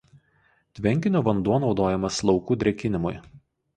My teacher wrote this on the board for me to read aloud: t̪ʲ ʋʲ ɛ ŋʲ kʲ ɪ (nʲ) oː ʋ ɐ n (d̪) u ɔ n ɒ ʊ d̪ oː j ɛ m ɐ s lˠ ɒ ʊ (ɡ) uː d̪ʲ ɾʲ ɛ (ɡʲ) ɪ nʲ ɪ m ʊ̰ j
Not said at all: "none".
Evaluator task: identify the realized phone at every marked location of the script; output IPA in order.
nʲ, d̪, k, kʲ

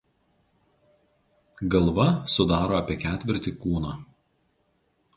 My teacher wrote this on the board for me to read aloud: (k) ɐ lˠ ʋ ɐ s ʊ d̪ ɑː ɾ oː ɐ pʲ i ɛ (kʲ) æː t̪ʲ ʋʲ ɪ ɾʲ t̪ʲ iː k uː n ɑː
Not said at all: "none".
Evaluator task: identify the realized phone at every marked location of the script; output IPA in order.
ɡ, kʲ

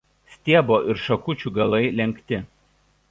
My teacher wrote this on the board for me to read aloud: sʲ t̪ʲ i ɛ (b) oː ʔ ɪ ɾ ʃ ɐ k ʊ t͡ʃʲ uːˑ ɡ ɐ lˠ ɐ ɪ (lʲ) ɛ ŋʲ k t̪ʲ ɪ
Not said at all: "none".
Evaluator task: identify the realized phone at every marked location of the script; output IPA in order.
b, lʲ

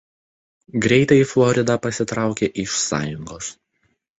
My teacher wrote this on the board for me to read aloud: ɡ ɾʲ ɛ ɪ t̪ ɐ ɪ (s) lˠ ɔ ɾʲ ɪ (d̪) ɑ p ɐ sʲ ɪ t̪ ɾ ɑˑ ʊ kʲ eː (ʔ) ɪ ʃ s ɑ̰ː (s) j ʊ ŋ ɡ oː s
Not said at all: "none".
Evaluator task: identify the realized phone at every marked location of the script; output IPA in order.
f, d̪, ʔ, none

